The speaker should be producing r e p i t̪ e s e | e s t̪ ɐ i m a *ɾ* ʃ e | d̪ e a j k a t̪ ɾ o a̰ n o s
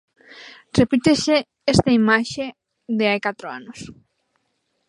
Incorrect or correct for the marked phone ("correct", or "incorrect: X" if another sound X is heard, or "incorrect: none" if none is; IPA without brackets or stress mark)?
incorrect: none